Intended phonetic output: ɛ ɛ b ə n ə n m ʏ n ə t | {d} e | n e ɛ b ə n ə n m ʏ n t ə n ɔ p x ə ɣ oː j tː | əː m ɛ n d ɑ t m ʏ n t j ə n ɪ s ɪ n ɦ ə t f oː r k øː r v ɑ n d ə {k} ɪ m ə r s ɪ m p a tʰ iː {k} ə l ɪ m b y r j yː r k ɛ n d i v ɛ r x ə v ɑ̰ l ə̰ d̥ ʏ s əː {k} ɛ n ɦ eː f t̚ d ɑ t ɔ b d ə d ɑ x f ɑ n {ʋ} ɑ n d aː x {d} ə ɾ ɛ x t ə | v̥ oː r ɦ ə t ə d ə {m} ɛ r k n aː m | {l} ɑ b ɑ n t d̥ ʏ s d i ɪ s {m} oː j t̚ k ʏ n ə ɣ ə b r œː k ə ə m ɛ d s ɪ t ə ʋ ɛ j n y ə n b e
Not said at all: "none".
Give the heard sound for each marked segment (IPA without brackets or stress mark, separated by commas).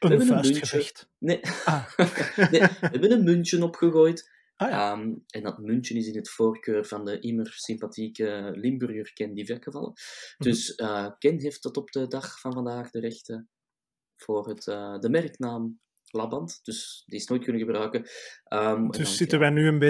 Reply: n, ʔ, k, k, v, d, m, l, n